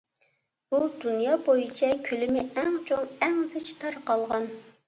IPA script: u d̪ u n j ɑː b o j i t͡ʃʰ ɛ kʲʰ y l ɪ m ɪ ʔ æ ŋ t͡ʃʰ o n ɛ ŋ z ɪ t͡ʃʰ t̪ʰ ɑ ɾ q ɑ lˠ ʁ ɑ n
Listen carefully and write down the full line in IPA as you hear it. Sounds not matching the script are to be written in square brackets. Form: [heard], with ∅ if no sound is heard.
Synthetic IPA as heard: u d̪ u n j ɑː b o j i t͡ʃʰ ɛ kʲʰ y l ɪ m ɪ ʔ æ ŋ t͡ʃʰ o [ŋ] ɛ ŋ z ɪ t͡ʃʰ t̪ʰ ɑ ɾ q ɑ lˠ ʁ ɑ n